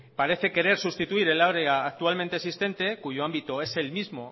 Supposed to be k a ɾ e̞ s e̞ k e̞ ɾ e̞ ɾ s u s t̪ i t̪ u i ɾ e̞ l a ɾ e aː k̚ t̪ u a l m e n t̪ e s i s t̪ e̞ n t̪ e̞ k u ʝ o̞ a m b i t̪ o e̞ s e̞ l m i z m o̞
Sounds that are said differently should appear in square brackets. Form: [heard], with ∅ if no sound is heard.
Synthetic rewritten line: [p] a ɾ e̞ [θ] e̞ k e̞ ɾ e̞ ɾ s u s t̪ i t̪ u i ɾ e̞ l a ɾ e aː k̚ t̪ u a l m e n t̪ e s i s t̪ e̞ n t̪ e̞ k u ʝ o̞ a m b i t̪ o e̞ s e̞ l m i z m o̞

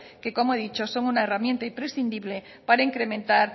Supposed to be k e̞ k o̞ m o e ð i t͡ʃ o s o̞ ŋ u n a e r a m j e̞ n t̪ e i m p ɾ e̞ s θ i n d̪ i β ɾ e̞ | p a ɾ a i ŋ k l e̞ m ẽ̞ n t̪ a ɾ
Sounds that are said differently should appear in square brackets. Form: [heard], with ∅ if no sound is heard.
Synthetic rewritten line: k e̞ k o̞ m o e ð i t͡ʃ o s o̞ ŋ u n a e r a m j e̞ n t̪ [a] i m p ɾ e̞ s θ i n d̪ i β [l] e̞ | p a ɾ a i ŋ k [ɾ] e̞ m ẽ̞ n t̪ a ɾ

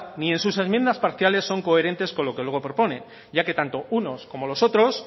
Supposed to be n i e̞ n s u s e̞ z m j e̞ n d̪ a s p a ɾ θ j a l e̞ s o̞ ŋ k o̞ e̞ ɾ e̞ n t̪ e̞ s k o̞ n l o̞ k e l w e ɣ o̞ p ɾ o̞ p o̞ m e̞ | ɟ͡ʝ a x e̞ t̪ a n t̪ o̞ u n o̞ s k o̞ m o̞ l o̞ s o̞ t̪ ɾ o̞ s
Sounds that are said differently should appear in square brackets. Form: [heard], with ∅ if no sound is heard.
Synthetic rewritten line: n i e̞ n s u s e̞ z m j e̞ n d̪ a s p a ɾ θ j a l e̞ [sː] o̞ ŋ k o̞ e̞ ɾ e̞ n t̪ e̞ s k o̞ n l o̞ k e l w e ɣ o̞ p ɾ o̞ p o̞ [n] e̞ | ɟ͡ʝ a [k] e̞ t̪ a n t̪ o̞ u n o̞ s k o̞ m o̞ l o̞ s o̞ t̪ ɾ o̞ s

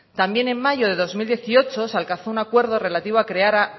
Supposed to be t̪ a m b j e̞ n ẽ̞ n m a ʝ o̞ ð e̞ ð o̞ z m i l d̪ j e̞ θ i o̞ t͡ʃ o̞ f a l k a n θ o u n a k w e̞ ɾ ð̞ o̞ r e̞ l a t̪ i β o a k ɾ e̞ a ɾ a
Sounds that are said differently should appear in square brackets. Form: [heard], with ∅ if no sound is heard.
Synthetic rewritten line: t̪ a m b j e̞ n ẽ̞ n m a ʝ o̞ ð e̞ ð o̞ z m i l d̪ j e̞ θ i o̞ t͡ʃ o̞ [s] a l k a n θ o u n a k w e̞ ɾ ð̞ o̞ r e̞ l a t̪ i β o a k ɾ e̞ a ɾ a

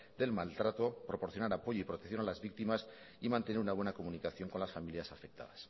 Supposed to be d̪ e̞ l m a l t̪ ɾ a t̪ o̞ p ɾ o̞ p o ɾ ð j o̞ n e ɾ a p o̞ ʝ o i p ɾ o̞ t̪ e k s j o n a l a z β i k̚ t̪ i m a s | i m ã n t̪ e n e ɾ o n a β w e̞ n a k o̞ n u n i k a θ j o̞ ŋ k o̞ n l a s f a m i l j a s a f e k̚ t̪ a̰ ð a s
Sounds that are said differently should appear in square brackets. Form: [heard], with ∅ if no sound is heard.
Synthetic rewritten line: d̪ e̞ l m a l t̪ ɾ a t̪ o̞ p ɾ o̞ p o ɾ [θ] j o̞ n [a] ɾ a p o̞ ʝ o i p ɾ o̞ t̪ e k [θ] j o n a l a z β i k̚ t̪ i m a s | i m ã n t̪ e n e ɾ [u] n a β w e̞ n a k o̞ [m] u n i k a θ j o̞ ŋ k o̞ n l a s f a m i l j a s a f e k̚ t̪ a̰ ð a s

